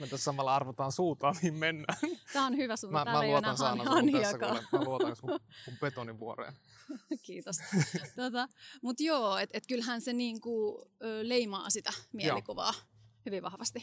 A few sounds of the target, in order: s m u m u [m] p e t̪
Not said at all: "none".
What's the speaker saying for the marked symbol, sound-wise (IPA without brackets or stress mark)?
m